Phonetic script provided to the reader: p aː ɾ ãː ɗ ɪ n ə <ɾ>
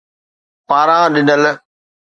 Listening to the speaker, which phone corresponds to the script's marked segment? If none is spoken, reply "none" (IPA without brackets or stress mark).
l